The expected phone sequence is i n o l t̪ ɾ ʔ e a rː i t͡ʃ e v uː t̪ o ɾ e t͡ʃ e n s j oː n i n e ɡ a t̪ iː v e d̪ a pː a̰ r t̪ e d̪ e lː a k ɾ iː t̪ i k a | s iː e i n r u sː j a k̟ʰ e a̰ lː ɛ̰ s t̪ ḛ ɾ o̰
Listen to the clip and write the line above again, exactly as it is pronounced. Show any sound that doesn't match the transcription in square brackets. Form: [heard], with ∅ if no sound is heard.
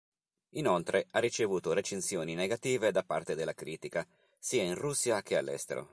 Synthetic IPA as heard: i n o l t̪ ɾ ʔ e a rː i t͡ʃ e v uː t̪ o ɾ e t͡ʃ e n s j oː n i n e ɡ a t̪ iː v e d̪ a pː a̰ r t̪ e d̪ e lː a k ɾ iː t̪ i k a | s iː [a] i n r u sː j a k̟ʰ e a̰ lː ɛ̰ s t̪ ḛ ɾ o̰